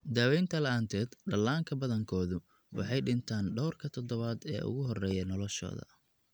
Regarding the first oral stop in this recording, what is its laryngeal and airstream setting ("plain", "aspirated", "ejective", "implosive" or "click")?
plain